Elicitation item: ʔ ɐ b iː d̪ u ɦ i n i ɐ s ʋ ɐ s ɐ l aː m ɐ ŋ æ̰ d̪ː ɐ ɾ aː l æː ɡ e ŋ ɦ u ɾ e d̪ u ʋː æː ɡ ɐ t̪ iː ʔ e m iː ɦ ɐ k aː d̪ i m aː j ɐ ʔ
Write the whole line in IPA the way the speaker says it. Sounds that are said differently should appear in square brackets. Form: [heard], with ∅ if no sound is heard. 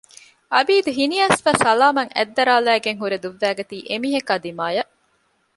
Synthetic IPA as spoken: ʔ ɐ b iː d̪ u ɦ i n i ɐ s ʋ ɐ s ɐ l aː m ɐ ŋ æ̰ d̪ː ɐ ɾ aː l æː ɡ e ŋ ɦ u ɾ e d̪ u ʋː æː ɡ ɐ t̪ iː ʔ e m iː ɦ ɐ k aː d̪ i m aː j ɐ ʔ